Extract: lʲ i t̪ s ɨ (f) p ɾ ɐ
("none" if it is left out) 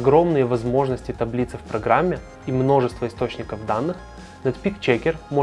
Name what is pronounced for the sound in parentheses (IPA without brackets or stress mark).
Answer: f